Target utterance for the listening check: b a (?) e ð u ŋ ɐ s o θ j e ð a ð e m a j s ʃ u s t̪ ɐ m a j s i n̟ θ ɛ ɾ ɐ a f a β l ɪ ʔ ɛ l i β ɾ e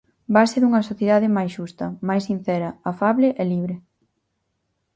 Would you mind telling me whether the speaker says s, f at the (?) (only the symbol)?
s